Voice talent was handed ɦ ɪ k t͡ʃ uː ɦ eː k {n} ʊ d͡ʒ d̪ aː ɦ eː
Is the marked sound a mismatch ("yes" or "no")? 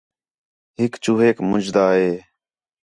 yes